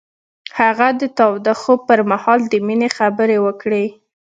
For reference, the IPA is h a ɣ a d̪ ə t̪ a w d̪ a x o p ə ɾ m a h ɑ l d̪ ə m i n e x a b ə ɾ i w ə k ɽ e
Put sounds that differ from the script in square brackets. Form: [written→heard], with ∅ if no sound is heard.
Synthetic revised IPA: h a ɣ a d̪ ə t̪ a w d̪ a x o p ə ɾ m a h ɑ l d̪ ə m i n e x a b ə ɾ [i→e] w ə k ɽ e